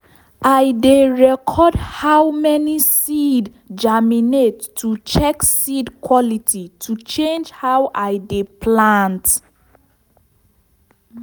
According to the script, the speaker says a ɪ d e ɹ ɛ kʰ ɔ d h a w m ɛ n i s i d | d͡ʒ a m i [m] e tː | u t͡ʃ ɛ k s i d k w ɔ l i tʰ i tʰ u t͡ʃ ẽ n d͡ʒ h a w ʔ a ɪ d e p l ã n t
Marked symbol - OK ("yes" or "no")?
no